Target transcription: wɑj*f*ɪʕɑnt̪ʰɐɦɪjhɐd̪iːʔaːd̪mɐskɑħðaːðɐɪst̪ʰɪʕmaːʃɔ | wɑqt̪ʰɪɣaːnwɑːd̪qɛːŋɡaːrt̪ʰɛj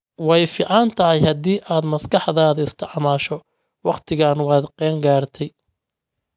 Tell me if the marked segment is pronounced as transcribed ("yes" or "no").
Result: yes